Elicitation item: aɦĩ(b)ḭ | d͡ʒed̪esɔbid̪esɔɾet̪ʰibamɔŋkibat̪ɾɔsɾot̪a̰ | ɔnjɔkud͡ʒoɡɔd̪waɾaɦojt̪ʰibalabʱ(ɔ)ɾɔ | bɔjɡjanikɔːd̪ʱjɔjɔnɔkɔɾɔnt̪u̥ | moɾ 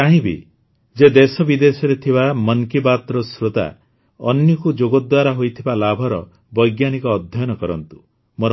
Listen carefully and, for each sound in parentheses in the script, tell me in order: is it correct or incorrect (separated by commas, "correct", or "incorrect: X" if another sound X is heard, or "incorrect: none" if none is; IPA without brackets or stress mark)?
correct, correct